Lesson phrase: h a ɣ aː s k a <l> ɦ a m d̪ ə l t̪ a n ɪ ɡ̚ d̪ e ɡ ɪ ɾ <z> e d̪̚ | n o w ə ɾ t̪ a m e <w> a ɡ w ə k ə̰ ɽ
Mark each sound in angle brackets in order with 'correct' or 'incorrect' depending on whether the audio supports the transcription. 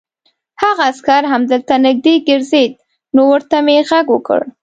incorrect: ɾ, correct, incorrect: ɣ

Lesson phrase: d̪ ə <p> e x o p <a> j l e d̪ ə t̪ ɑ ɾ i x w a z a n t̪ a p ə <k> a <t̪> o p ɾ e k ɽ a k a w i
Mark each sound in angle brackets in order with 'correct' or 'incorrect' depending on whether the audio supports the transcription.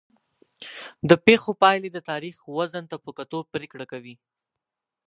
correct, incorrect: ɑ, correct, correct

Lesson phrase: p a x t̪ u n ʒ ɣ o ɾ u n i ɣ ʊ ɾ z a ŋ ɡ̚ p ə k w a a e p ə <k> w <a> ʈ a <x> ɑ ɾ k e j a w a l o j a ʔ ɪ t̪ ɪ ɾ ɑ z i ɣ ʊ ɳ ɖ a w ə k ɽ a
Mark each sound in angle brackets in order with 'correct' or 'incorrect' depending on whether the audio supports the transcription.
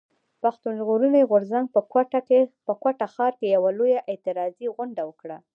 correct, correct, correct

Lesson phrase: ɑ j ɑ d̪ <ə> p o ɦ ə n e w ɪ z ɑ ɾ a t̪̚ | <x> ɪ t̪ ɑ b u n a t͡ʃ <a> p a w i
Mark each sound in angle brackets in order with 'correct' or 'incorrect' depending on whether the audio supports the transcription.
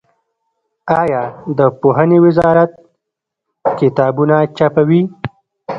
correct, incorrect: k, correct

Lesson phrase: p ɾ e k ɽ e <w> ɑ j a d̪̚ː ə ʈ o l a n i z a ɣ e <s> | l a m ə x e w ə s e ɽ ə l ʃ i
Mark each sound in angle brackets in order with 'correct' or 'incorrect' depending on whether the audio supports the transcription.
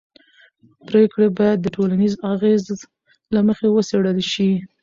incorrect: b, incorrect: z

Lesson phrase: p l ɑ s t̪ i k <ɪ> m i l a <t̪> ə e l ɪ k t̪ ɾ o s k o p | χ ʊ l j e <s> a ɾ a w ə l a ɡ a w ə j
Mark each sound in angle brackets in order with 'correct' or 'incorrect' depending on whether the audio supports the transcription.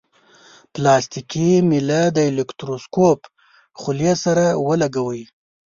incorrect: i, incorrect: d̪, correct

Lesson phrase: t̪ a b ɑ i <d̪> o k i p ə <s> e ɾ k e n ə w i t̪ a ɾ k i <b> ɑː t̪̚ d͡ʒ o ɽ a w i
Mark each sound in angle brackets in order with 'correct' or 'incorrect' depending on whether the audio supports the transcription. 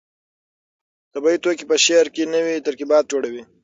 incorrect: t̪, incorrect: ʃ, correct

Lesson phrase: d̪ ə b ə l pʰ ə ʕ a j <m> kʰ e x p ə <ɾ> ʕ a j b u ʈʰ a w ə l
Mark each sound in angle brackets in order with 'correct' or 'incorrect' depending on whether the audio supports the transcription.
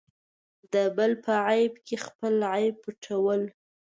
incorrect: b, incorrect: l

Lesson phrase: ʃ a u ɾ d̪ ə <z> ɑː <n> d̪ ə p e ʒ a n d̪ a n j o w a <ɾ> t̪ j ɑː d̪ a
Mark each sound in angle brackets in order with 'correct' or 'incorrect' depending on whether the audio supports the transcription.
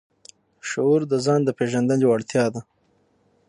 correct, correct, incorrect: ɽ

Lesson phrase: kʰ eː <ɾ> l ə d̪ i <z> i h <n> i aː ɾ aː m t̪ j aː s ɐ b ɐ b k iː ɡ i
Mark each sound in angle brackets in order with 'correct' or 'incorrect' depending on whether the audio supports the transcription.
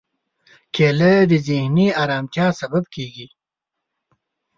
incorrect: none, correct, correct

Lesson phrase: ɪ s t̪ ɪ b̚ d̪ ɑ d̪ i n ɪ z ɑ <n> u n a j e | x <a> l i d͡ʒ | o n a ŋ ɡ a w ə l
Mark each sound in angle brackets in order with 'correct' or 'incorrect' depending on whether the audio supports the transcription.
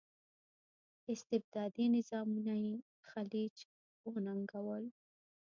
incorrect: m, correct

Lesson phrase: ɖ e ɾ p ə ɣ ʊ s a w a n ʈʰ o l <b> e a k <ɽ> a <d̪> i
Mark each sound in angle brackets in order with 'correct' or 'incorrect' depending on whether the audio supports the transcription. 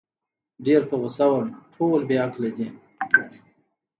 correct, incorrect: l, correct

